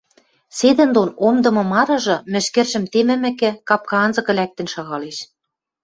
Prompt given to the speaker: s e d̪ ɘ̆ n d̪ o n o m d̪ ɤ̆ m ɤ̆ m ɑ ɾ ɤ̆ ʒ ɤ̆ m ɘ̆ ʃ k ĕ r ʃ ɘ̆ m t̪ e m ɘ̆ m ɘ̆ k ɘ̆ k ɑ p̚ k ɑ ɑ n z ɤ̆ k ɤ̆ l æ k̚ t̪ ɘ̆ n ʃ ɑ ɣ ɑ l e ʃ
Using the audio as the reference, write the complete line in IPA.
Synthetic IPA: s e d̪ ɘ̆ n d̪ o n o m d̪ ɤ̆ m ɤ̆ m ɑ ɾ ɤ̆ ʒ ɤ̆ m ɘ̆ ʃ k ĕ r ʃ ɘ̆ m t̪ e m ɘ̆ m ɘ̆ k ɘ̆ k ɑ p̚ k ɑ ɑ n z ɤ̆ k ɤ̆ l æ k̚ t̪ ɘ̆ n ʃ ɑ ɣ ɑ l e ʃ